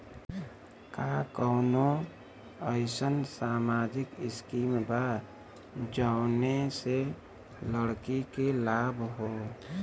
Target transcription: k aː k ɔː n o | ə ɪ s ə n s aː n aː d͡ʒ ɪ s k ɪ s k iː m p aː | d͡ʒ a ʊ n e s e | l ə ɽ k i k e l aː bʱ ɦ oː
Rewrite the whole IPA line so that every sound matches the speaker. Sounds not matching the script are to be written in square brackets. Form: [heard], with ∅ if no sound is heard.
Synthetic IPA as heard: k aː k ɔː n o | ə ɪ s ə n s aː [m] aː d͡ʒ ɪ [∅] k ɪ s k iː m [b] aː | d͡ʒ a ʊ n e s e | l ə ɽ k i k e l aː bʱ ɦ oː